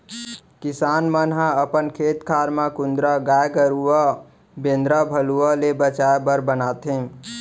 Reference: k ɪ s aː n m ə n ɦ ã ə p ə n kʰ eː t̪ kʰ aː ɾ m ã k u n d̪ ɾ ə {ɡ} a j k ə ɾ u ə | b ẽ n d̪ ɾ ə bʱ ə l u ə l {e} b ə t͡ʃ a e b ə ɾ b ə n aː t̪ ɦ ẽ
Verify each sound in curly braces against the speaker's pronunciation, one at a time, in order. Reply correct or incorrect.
correct, correct

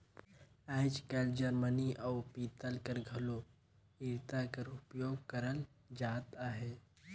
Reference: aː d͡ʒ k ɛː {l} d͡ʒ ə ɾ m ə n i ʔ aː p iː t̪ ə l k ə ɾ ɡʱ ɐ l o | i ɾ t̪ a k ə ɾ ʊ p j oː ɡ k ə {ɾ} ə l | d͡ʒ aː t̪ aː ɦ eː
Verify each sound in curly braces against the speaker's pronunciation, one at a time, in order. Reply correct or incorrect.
correct, correct

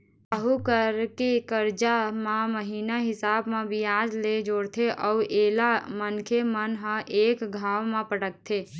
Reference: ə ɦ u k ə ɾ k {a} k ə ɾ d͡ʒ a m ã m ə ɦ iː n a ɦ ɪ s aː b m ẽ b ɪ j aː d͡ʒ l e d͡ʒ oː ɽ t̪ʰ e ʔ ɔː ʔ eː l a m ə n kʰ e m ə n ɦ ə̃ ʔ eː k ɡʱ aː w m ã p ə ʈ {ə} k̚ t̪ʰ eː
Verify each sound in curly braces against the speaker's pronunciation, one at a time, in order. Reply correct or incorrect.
incorrect, correct

